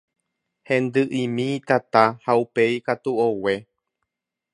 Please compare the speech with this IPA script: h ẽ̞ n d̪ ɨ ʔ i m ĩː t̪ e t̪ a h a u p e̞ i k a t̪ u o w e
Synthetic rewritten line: h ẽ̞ n d̪ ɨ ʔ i m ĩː t̪ a t̪ a h a u p e̞ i k a t̪ u o w e